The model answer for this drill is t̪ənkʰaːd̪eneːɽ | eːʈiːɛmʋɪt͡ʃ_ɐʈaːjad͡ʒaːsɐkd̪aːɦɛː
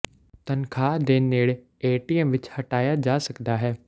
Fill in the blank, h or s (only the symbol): h